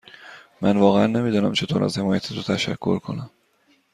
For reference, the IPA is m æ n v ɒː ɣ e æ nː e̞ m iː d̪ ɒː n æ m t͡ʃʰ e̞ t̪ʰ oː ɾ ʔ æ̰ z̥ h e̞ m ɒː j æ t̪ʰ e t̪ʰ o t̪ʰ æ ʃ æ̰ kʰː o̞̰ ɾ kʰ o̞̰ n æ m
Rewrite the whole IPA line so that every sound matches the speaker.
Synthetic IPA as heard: m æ n v ɒː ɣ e æ nː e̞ m iː d̪ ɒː n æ m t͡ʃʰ e̞ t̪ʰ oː ɾ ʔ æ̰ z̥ h e̞ m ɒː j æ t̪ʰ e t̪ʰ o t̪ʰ æ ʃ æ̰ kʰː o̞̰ ɾ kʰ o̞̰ n æ m